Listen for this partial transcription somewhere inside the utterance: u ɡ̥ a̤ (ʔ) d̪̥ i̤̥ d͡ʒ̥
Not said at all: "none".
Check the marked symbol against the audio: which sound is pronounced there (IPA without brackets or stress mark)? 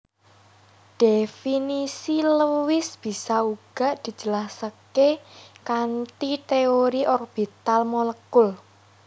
ʔ